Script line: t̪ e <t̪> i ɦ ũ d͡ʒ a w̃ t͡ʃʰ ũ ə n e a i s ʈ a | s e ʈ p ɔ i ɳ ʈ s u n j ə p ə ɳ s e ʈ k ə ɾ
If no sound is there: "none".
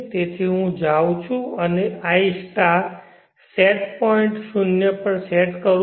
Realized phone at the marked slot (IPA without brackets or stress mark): t̪ʰ